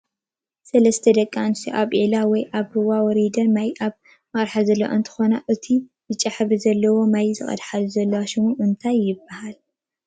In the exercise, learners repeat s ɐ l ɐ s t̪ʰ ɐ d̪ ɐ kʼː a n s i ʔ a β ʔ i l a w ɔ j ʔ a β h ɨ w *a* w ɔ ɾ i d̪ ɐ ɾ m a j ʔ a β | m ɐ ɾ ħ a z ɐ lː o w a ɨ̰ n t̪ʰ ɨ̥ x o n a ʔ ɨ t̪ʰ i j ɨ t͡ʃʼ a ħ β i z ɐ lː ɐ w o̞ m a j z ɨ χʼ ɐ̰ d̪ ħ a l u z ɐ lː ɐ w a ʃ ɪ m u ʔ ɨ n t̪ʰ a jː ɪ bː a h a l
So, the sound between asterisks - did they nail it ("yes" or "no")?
yes